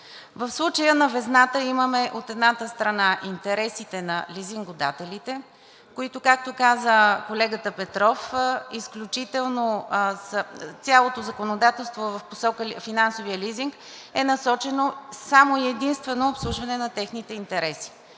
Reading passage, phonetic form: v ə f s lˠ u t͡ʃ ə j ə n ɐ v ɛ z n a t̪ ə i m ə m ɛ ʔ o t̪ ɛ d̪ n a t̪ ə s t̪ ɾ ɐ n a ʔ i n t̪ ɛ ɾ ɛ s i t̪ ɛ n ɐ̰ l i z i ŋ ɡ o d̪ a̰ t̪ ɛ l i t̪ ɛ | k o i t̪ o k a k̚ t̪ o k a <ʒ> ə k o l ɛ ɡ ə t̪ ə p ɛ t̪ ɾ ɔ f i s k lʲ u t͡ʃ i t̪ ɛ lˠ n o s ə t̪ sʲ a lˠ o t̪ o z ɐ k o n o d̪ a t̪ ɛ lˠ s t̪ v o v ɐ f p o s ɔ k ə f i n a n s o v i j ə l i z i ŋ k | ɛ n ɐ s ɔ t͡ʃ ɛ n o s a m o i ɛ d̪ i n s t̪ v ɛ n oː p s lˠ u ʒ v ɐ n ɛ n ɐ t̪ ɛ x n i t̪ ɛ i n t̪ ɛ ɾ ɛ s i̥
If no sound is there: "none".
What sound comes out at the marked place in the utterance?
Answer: z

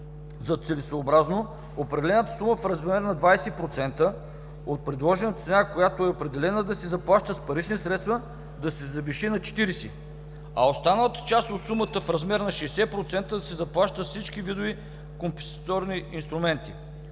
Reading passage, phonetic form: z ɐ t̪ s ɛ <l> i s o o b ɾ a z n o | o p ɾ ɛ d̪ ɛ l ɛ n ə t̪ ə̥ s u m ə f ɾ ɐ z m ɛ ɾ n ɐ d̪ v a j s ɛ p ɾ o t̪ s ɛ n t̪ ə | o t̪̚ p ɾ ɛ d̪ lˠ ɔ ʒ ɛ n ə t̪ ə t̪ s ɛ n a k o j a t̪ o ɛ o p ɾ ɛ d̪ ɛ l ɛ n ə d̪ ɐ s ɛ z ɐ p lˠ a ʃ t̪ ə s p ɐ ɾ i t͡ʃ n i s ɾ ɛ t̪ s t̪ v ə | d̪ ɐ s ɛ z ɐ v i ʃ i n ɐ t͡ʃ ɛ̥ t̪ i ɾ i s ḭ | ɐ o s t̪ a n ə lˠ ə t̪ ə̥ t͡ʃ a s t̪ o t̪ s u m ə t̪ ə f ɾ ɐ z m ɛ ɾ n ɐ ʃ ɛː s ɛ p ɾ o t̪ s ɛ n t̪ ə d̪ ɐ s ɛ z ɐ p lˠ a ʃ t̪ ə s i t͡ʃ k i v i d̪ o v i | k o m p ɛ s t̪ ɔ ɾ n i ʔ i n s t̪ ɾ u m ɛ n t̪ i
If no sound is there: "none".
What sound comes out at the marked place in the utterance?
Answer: l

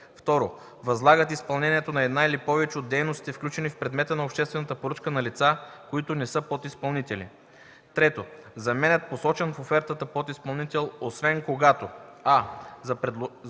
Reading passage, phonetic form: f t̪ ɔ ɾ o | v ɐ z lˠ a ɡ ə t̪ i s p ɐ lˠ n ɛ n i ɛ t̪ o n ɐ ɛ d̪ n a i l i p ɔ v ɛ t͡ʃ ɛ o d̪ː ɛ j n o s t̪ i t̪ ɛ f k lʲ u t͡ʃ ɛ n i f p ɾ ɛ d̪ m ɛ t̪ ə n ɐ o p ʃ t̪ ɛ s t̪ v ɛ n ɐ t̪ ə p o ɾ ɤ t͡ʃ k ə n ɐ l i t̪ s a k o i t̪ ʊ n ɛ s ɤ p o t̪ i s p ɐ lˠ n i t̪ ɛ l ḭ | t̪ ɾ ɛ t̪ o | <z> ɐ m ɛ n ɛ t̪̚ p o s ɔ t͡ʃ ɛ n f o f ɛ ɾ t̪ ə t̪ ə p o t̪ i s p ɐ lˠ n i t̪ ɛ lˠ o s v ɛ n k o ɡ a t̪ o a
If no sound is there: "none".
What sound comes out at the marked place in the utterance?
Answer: z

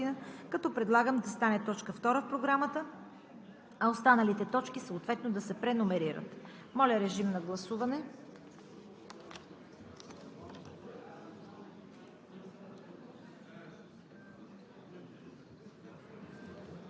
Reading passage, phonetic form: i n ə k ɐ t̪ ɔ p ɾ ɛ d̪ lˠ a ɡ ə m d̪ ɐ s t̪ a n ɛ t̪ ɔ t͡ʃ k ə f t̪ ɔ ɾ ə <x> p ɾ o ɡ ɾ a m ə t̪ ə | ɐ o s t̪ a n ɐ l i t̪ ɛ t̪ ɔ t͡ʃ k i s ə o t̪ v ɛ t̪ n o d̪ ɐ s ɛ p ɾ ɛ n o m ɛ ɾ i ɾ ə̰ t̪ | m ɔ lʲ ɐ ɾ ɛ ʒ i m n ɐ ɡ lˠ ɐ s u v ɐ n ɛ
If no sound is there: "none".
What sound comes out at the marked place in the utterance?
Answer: f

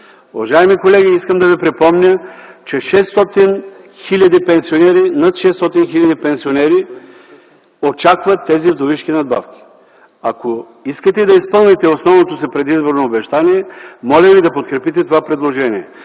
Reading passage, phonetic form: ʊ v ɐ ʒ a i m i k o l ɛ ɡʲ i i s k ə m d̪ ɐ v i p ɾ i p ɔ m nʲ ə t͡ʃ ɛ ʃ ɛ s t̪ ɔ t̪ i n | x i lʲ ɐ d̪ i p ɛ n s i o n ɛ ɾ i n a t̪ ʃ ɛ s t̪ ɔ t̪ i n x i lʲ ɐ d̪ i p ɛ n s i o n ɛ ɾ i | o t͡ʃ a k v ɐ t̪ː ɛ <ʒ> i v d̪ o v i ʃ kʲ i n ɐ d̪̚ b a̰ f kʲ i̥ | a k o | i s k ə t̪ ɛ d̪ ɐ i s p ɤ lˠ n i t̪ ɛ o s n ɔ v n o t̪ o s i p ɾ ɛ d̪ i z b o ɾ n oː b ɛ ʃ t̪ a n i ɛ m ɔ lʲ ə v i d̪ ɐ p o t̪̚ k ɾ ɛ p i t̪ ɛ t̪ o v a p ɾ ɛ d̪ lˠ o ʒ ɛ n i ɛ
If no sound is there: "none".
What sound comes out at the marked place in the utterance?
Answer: z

